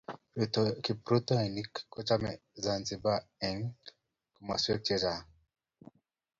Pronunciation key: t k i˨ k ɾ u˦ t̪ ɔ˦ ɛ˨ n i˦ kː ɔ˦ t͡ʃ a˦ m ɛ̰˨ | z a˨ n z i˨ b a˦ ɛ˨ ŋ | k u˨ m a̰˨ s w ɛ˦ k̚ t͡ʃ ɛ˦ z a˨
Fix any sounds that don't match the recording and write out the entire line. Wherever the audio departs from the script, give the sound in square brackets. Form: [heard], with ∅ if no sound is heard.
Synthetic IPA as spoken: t k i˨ [p] ɾ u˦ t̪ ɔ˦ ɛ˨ n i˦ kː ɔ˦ t͡ʃ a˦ m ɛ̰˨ | z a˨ n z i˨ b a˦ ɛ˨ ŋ | k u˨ m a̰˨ s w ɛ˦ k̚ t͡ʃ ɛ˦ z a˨